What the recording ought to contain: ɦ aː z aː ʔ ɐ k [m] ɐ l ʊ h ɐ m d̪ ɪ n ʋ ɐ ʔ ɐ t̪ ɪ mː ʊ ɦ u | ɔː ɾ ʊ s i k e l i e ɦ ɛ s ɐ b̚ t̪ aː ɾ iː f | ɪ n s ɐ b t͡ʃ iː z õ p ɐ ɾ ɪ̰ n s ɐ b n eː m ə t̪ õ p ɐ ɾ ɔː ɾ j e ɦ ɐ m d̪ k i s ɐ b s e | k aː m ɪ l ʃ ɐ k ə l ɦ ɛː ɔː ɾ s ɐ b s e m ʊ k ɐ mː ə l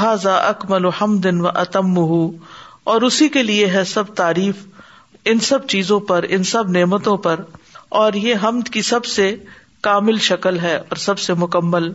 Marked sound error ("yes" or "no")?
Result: no